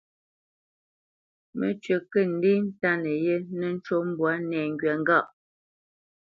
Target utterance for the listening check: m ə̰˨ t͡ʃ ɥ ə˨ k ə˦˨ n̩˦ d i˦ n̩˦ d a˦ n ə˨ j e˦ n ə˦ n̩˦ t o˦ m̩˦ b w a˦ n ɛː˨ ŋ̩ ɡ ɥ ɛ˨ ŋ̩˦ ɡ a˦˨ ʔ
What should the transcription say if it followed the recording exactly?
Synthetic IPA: m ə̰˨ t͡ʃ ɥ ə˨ k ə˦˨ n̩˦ d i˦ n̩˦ t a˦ n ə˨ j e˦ n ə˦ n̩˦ t͡ʃ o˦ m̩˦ b w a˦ n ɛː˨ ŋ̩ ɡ ɥ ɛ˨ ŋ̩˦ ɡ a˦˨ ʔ